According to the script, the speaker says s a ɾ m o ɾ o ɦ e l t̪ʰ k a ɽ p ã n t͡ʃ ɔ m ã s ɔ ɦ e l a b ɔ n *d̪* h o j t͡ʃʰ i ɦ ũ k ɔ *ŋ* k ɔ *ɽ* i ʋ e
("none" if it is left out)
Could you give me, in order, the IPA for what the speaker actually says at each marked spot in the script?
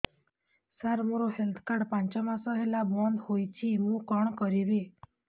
d̪, ɳ, ɾ

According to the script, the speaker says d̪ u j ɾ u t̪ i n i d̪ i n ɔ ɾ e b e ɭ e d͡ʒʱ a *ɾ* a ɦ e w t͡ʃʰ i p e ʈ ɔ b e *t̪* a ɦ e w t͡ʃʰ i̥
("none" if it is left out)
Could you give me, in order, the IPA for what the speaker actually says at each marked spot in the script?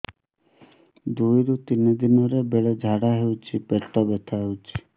ɽ, t̪ʰ

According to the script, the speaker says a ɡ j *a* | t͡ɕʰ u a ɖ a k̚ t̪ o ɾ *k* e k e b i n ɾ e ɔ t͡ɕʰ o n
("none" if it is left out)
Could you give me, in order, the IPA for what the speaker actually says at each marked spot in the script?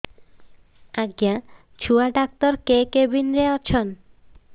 a, k

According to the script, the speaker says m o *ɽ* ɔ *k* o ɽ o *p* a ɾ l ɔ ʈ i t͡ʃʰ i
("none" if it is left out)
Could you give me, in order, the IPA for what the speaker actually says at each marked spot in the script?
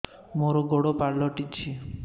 ɾ, ɡ, p

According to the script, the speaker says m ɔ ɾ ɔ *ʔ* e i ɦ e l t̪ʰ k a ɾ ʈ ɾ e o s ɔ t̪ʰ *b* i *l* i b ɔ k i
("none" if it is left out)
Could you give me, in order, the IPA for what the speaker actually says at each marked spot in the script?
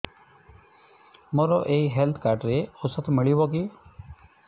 ʔ, m, ɭ

